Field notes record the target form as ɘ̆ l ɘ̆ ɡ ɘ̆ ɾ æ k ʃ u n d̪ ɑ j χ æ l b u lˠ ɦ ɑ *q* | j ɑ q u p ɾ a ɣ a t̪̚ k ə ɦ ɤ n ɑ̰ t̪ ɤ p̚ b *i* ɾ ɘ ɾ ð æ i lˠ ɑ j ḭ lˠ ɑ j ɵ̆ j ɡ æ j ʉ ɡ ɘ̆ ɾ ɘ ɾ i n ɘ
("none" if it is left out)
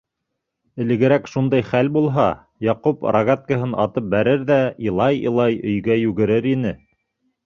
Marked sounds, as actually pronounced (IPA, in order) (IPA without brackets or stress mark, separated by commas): none, æ